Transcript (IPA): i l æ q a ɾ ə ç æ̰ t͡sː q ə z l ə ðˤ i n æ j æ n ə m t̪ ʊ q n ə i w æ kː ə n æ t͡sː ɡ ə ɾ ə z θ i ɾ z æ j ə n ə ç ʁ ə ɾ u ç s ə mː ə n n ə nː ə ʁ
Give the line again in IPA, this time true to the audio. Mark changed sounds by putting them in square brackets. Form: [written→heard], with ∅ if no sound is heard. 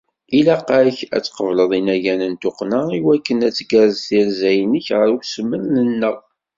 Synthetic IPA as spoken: i l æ q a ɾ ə ç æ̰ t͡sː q ə [z→v] l ə ðˤ i n æ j æ n ə [m→n] t̪ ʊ q n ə i w æ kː ə n æ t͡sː ɡ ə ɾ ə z θ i ɾ z æ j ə n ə ç ʁ ə ɾ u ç s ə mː ə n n ə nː ə ʁ